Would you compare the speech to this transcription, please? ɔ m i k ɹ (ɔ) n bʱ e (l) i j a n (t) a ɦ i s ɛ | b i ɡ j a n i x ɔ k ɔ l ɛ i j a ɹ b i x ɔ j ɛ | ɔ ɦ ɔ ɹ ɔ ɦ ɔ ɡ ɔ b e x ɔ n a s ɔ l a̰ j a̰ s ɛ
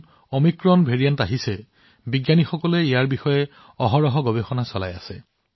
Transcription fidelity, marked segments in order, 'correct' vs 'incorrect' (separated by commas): correct, incorrect, correct